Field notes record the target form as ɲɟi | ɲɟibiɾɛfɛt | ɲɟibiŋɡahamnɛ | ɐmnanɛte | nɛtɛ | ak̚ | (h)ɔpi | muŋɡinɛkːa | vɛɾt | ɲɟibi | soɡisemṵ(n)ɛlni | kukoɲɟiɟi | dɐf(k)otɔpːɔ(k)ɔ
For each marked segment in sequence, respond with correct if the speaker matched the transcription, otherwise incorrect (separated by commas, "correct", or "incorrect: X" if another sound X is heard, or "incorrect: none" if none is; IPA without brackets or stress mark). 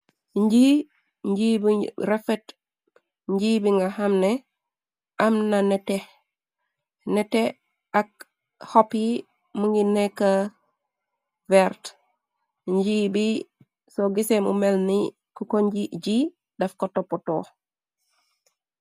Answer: correct, incorrect: m, correct, incorrect: t